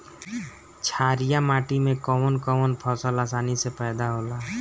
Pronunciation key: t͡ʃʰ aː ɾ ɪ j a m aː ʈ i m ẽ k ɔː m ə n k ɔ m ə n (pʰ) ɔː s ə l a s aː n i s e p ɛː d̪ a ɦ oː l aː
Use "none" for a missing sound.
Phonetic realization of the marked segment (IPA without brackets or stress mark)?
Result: pʰ